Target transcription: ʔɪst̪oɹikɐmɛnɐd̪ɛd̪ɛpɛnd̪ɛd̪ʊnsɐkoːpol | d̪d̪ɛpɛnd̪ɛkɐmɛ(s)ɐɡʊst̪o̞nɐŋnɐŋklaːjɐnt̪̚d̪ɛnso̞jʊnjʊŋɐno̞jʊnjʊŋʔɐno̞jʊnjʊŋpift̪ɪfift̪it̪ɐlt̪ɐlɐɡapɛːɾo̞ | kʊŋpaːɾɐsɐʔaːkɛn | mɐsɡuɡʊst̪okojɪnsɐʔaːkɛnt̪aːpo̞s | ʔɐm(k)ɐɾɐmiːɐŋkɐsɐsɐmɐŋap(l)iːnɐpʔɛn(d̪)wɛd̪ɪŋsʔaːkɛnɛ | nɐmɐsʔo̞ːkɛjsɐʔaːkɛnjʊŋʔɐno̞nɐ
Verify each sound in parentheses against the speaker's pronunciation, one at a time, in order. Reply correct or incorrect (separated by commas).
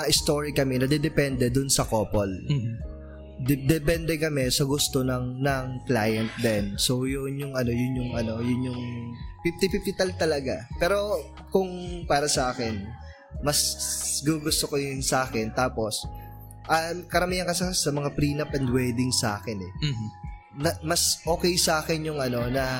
correct, correct, incorrect, correct